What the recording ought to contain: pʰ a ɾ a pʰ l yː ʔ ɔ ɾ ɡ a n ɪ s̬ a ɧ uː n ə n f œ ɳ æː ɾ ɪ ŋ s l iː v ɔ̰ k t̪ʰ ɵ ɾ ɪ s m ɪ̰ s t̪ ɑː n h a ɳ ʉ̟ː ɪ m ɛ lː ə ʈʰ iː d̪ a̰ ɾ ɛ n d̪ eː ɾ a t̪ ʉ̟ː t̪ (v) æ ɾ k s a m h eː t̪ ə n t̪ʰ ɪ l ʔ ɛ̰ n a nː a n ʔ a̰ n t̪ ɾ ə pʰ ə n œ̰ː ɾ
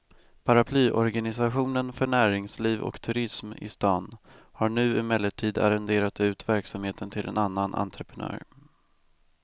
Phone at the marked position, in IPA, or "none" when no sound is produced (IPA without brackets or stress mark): v